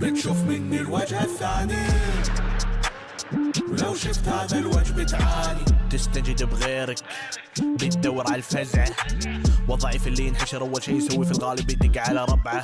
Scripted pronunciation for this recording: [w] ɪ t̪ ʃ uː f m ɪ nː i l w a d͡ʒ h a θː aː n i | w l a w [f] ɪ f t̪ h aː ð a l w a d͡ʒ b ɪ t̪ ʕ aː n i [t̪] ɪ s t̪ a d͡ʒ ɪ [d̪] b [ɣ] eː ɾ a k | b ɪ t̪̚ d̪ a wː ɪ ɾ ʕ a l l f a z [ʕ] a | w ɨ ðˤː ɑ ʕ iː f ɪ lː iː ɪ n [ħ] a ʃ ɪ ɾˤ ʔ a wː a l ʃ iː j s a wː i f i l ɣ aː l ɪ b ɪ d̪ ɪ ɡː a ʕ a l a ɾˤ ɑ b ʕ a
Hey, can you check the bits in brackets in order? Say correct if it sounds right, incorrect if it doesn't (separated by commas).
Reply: incorrect, incorrect, correct, correct, correct, correct, correct